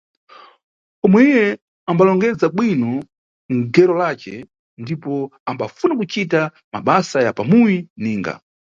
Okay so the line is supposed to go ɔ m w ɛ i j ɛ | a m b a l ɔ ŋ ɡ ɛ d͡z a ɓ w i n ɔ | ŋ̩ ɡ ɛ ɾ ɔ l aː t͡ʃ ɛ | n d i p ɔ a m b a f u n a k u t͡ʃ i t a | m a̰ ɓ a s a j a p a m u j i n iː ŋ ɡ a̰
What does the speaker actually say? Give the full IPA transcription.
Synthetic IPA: ɔ m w ɛ i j ɛ | a m b a l ɔ ŋ ɡ ɛ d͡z a ɓ w i n ɔ | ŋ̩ ɡ ɛ ɾ ɔ l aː t͡ʃ ɛ | n d i p ɔ a m b a f u n a k u t͡ʃ i t a | m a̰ ɓ a s a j a p a m u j i n iː ŋ ɡ a̰

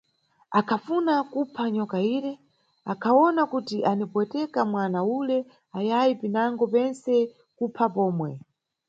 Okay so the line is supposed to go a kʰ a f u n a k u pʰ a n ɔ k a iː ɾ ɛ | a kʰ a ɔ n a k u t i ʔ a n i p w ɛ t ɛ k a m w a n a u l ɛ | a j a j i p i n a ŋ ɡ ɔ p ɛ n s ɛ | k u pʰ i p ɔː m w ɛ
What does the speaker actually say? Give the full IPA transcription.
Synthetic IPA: a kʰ a f u n a k u pʰ a ɲ ɔ k a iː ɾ ɛ | a kʰ a ɔ n a k u t i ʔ a n i p w ɛ t ɛ k a m w a n a u l ɛ | a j a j i p i n a ŋ ɡ ɔ p ɛ n s ɛ | k u pʰ a p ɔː m w ɛ

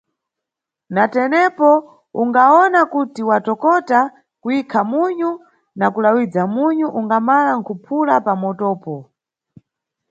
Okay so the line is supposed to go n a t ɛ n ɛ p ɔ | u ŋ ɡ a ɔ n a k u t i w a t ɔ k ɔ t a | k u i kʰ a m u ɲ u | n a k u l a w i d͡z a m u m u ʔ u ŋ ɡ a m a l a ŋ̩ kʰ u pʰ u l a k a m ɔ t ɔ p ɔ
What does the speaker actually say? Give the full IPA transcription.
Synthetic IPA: n a t ɛ n ɛ p ɔ | u ŋ ɡ a ɔ n a k u t i w a t ɔ k ɔ t a | k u i kʰ a m u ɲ u | n a k u l a w i d͡z a m u ɲ u ʔ u ŋ ɡ a m a l a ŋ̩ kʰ u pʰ u l a p a m ɔ t ɔː p ɔ

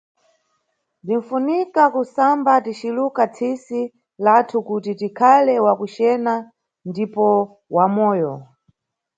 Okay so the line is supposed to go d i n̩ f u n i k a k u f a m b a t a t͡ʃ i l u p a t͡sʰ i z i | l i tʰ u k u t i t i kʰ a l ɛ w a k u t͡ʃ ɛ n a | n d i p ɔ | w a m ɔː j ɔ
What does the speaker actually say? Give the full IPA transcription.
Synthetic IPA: d i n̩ f u n i k a k u s a m b a t i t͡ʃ i l u k a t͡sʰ i s i | l a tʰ u k u t i t i kʰ a l ɛ w a k u t͡ʃ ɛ n a | n d i p ɔ | w a m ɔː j ɔ

